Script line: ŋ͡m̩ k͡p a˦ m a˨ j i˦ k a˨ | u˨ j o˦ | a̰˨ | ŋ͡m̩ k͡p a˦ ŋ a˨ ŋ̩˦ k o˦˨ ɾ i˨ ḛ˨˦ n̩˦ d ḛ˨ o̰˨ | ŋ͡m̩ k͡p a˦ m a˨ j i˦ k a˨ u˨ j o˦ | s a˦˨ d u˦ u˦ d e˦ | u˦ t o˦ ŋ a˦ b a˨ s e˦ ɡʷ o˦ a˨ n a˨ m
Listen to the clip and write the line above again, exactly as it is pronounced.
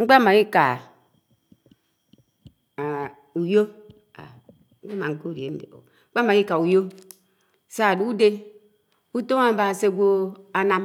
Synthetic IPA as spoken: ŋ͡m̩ k͡p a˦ m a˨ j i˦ k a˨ | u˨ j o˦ | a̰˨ | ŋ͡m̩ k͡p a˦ m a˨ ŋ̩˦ k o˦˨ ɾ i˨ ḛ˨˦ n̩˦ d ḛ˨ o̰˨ | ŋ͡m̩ k͡p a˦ m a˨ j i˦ k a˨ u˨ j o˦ | s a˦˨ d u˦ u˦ d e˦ | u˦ t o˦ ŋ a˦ b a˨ s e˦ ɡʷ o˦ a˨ n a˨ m